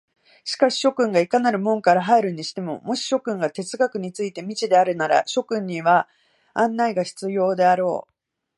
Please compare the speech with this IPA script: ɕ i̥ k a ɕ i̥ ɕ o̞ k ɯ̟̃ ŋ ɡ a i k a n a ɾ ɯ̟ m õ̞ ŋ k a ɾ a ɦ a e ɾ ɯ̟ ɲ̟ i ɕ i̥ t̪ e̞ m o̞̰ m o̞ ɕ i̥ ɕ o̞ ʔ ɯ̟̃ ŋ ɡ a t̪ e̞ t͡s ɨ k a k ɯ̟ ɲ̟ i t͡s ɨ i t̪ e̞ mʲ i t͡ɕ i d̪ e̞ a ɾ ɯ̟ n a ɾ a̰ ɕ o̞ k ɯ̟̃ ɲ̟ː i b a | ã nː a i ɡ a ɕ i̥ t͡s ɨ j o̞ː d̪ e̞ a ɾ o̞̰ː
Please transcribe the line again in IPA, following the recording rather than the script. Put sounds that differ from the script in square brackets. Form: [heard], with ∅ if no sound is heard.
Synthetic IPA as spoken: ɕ i̥ k a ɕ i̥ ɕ o̞ k ɯ̟̃ ŋ ɡ a i k a n a ɾ ɯ̟ m õ̞ ŋ k a ɾ a ɦ a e ɾ ɯ̟ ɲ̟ i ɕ i̥ t̪ e̞ m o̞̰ m o̞ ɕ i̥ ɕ o̞ [k] ɯ̟̃ ŋ ɡ a t̪ e̞ t͡s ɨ [ɡ] a k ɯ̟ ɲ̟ i t͡s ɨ i t̪ e̞ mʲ i t͡ɕ i d̪ e̞ a ɾ ɯ̟ n a ɾ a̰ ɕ o̞ k ɯ̟̃ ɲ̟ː i [β] a | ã nː a i ɡ a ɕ i̥ t͡s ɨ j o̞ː d̪ e̞ a ɾ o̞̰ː